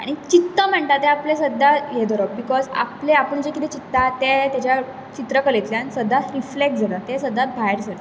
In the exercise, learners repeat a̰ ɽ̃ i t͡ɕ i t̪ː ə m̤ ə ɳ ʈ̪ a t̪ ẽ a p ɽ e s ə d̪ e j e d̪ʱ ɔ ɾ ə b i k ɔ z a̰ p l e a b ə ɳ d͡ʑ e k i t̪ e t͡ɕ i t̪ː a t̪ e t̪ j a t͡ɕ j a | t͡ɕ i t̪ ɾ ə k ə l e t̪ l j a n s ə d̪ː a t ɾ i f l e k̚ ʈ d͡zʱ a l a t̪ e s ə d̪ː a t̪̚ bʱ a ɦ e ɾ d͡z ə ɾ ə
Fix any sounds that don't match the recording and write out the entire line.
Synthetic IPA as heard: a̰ ɽ̃ i t͡ɕ i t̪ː ə m̤ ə ɳ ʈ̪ a t̪ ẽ a p l e s ə d̪ a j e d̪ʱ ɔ ɾ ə b i k ɔ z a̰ p l e a p ə ɳ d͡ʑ e k i t̪ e t͡ɕ i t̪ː a t̪ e t̪ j a t͡ɕ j a | t͡ɕ i t̪ ɾ ə k ə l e t̪ l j a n s ə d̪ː a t ɾ i f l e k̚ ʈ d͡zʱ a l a t̪ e s ə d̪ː a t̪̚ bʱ a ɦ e ɾ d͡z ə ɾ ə